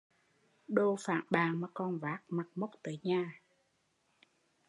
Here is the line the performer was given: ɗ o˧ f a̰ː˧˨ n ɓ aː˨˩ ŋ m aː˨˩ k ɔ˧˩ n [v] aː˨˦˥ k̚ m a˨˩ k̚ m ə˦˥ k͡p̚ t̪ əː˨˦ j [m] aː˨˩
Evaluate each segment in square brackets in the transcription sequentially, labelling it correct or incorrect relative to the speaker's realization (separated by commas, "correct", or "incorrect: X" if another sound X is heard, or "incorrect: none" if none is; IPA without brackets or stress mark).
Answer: correct, incorrect: ɲ